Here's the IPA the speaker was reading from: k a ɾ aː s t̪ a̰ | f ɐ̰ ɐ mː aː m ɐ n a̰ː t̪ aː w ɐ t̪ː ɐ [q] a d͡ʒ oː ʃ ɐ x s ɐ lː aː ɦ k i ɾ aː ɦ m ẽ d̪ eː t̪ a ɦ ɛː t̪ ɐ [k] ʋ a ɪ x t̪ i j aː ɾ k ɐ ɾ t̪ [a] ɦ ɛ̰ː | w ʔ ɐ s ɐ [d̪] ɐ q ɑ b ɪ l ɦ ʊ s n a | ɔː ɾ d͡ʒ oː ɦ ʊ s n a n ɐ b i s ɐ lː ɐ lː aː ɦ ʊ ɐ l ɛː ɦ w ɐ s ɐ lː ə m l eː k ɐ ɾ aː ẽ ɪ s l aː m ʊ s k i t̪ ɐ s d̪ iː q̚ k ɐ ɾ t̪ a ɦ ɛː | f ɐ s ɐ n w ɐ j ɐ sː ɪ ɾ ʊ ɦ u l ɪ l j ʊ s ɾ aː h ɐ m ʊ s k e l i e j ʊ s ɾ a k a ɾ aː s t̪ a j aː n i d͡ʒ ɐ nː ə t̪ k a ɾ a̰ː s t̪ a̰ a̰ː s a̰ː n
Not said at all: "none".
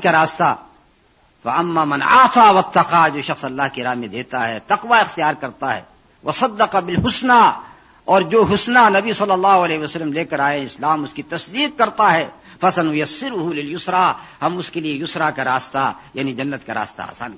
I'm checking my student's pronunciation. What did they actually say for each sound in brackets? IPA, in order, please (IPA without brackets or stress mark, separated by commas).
q, q, a, d̪ː